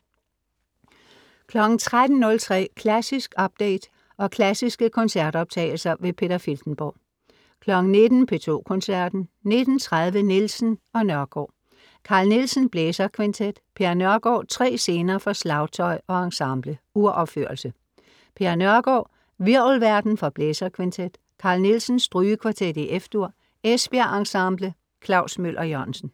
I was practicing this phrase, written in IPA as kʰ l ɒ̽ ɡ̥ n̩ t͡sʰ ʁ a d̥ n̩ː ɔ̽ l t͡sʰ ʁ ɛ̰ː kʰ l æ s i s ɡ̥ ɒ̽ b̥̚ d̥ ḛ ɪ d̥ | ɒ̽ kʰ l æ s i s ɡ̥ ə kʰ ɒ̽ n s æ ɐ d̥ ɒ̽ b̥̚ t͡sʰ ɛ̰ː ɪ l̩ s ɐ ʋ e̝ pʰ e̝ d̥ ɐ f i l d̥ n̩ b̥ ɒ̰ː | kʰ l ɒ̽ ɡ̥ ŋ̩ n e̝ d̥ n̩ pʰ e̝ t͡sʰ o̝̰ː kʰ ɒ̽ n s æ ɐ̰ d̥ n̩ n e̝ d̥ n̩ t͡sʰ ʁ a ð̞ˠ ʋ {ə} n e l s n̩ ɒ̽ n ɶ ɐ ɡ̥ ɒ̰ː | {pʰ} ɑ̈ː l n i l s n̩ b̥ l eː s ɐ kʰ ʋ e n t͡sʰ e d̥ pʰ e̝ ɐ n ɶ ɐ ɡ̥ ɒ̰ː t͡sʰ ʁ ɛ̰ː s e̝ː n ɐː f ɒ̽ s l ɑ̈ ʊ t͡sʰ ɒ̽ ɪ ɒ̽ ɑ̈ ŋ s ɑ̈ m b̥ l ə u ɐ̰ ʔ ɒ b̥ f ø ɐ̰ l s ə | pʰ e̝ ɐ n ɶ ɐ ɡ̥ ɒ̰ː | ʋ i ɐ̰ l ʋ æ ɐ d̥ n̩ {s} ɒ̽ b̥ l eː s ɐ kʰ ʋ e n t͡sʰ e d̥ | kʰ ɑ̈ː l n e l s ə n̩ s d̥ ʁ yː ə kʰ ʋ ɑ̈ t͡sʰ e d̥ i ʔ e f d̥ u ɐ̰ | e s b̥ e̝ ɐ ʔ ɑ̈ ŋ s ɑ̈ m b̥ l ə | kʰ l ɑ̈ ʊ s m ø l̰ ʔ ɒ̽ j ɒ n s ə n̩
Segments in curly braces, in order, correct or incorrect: correct, incorrect: kʰ, incorrect: f

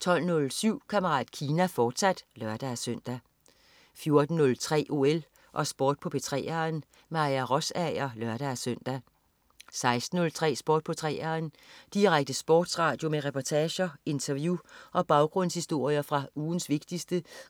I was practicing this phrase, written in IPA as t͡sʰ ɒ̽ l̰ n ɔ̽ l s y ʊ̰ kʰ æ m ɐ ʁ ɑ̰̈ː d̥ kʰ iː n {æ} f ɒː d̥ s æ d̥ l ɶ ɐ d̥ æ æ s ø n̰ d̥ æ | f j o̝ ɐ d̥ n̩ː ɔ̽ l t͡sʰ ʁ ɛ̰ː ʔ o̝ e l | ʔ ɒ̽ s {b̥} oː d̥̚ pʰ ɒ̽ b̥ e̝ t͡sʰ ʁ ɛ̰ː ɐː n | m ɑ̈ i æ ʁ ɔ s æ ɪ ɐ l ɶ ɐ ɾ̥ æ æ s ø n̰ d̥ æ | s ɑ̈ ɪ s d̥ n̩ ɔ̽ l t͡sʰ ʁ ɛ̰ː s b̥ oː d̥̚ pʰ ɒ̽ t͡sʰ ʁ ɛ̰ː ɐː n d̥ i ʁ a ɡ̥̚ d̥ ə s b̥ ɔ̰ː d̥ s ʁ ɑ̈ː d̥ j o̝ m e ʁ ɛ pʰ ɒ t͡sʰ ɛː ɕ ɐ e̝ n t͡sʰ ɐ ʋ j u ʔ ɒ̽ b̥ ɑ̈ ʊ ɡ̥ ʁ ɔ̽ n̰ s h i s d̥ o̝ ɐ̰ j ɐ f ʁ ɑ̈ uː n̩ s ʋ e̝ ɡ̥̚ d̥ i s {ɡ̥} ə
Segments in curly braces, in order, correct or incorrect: correct, correct, incorrect: d̥

